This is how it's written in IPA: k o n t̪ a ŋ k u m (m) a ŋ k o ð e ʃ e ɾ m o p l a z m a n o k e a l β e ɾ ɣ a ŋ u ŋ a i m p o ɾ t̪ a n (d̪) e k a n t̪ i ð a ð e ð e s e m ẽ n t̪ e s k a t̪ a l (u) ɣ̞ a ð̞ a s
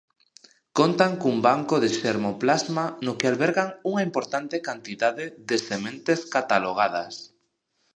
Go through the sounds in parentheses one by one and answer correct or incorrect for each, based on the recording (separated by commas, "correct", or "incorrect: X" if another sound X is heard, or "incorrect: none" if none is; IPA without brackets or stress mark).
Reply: incorrect: b, incorrect: t̪, incorrect: o